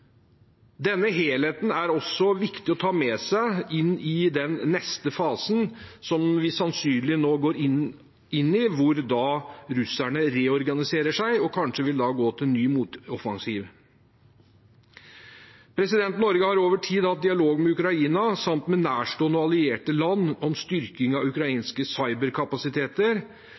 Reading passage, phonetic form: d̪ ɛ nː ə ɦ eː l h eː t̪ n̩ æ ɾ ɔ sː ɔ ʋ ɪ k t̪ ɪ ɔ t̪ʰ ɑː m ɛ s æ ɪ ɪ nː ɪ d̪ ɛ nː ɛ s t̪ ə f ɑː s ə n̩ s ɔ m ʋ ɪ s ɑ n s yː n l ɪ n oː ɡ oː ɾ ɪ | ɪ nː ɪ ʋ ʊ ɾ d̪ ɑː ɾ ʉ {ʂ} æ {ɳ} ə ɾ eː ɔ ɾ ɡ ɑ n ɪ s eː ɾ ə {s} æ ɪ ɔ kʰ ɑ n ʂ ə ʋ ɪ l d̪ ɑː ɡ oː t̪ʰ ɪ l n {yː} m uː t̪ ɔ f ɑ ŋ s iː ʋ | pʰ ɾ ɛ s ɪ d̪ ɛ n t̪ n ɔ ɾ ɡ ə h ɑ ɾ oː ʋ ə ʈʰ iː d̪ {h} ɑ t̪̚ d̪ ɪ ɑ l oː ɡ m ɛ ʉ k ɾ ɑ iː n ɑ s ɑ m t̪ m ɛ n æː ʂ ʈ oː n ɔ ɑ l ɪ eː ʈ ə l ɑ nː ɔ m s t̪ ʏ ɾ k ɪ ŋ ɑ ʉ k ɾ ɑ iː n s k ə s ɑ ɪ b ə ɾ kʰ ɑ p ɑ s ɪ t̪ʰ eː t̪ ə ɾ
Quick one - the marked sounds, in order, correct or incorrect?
incorrect, correct, incorrect, correct, correct

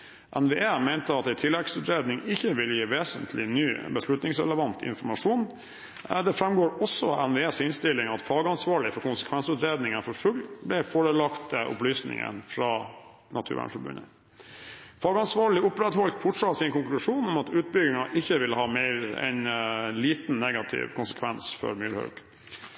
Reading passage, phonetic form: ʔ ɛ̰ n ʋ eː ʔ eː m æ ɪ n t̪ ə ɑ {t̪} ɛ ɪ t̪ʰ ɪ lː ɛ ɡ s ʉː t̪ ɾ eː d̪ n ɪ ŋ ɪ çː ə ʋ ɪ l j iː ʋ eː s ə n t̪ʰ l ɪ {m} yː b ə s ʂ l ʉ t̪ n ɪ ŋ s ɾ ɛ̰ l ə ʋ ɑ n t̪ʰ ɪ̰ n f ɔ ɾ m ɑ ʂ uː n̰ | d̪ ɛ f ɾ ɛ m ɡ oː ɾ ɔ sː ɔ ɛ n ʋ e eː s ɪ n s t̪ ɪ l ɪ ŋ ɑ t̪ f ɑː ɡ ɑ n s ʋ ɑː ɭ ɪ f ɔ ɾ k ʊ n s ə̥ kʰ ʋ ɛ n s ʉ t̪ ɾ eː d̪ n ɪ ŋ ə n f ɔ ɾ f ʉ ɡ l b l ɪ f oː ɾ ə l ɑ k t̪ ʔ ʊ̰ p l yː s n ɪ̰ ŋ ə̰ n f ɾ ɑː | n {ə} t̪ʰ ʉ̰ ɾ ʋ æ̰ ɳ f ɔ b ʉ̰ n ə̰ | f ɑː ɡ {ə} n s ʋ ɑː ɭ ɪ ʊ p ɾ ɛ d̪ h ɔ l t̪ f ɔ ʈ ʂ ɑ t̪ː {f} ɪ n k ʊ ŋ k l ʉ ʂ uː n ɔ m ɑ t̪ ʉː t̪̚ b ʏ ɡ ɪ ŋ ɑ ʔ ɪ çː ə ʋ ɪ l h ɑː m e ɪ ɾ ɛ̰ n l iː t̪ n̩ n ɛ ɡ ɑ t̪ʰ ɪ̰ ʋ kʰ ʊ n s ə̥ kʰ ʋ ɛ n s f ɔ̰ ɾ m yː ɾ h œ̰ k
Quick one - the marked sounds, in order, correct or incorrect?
correct, incorrect, incorrect, incorrect, incorrect

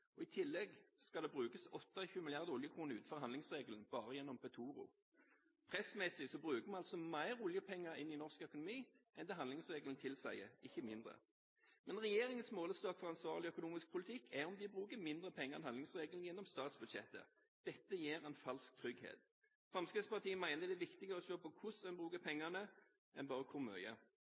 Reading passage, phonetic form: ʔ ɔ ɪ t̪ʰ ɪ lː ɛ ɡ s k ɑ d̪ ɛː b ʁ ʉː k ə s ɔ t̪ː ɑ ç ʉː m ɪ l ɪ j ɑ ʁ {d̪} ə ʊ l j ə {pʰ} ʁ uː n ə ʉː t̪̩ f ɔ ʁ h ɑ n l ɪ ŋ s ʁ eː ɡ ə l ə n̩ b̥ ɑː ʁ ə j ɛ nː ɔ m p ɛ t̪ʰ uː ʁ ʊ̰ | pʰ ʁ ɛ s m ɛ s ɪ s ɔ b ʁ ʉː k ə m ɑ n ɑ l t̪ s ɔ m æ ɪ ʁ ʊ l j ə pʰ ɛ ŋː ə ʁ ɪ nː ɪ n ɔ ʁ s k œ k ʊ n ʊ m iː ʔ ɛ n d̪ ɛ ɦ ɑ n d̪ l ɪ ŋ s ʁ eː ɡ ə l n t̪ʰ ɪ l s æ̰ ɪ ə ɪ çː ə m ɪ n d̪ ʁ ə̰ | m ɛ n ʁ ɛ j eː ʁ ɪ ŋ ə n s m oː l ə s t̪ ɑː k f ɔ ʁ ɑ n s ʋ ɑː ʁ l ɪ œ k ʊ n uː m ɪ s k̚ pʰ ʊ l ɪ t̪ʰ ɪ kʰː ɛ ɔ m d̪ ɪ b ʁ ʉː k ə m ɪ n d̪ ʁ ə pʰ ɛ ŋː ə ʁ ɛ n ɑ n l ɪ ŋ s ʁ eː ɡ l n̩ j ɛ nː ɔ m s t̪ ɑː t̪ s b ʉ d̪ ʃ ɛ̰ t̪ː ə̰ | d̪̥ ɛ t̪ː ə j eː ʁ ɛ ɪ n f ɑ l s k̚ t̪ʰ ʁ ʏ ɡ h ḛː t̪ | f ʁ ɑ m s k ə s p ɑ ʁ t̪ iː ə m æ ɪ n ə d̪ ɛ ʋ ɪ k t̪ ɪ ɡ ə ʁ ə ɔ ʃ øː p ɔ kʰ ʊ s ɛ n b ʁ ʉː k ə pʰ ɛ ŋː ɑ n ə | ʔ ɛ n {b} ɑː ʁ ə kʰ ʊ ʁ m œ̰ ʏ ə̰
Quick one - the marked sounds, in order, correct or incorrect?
correct, incorrect, correct

